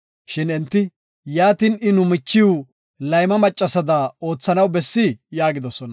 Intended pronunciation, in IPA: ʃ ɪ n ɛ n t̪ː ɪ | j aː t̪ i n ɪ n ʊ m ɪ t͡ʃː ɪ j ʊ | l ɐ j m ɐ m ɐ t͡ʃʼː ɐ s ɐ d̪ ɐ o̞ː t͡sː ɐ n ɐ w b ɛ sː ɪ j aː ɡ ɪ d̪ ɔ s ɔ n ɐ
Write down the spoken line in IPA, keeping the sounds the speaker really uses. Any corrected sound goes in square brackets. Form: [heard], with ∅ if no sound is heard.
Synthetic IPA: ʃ ɪ n ɛ n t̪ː ɪ | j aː t̪ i n ɪ n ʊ m ɪ t͡ʃː ɪ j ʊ | l ɐ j m ɐ m ɐ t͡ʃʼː ɐ s ɐ d̪ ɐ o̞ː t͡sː ɐ n ɐ w b ɛ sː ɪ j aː ɡ ɪ d̪ ɔ s ɔ n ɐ